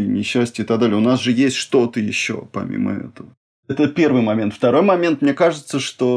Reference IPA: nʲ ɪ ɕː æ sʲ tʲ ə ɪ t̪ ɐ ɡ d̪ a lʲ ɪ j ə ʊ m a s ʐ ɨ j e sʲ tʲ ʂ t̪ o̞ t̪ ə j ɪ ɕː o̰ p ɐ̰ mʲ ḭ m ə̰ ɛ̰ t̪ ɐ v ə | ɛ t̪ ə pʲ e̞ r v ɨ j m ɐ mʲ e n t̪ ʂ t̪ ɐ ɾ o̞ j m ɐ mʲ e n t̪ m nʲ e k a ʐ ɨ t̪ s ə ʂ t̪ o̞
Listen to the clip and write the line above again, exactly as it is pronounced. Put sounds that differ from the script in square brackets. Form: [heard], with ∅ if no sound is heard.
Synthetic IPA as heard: nʲ ɪ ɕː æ sʲ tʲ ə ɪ t̪ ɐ ɡ d̪ a lʲ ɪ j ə ʊ [n] a s ʐ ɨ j e sʲ tʲ ʂ t̪ o̞ t̪ ə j ɪ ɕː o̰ p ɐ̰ mʲ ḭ m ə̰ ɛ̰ t̪ [ə] v ə | ɛ t̪ ə pʲ e̞ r v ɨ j m ɐ mʲ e n t̪ [f] t̪ ɐ ɾ o̞ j m ɐ mʲ e n t̪ m nʲ e k a ʐ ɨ t̪ s ə ʂ t̪ o̞